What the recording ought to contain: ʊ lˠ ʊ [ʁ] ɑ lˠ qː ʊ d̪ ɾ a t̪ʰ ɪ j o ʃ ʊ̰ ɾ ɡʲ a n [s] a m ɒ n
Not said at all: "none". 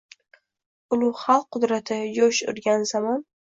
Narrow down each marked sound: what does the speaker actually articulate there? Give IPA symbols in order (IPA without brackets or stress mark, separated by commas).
χ, z